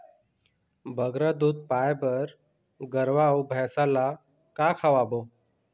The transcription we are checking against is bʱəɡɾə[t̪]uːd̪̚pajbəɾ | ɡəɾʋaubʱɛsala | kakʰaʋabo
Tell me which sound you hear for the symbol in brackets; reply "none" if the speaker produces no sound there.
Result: d̪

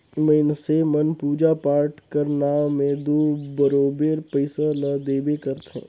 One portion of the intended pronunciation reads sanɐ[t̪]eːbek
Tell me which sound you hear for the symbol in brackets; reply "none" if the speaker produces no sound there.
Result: d̪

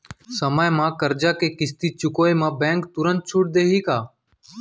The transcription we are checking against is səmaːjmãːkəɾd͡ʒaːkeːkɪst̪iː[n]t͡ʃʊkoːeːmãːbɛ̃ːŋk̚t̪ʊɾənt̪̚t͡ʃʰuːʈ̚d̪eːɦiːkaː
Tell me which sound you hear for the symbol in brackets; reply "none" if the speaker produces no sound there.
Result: none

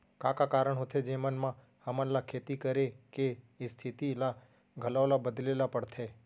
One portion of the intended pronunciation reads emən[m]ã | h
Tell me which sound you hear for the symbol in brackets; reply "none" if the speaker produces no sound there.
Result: m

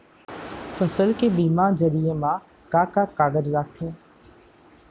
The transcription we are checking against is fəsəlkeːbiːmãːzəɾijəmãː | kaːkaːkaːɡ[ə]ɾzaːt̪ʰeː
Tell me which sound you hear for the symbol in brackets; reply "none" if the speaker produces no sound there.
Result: ə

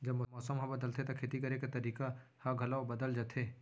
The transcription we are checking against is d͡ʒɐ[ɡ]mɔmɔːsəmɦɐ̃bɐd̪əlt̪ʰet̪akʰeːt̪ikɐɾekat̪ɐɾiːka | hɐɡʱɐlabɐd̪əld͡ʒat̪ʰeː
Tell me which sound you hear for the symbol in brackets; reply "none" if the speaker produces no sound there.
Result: b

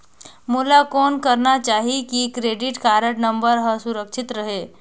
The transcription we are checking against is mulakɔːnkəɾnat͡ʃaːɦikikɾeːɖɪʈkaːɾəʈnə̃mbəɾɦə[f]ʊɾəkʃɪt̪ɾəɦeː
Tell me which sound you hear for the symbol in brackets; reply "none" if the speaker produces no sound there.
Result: s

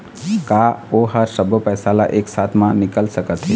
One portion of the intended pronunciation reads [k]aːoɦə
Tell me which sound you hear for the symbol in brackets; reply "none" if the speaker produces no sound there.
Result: k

